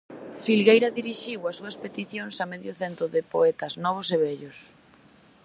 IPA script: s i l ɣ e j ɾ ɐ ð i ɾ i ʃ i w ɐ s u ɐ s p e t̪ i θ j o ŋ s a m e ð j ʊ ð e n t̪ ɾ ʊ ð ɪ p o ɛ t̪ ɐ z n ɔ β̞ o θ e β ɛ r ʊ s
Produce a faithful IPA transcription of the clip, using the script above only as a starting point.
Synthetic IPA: f i l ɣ e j ɾ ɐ ð i ɾ i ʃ i w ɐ s u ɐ s p e t̪ i θ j o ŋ s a m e ð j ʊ θ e n t̪ ɾ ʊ ð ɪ p o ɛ t̪ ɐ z n ɔ β̞ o s e β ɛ ʎ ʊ s